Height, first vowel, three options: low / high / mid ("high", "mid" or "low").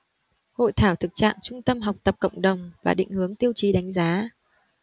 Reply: mid